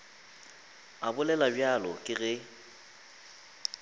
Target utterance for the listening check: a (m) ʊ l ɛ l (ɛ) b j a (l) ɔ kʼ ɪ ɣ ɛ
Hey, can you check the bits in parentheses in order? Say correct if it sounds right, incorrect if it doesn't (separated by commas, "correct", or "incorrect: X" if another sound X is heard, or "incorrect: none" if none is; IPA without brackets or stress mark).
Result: incorrect: b, incorrect: a, correct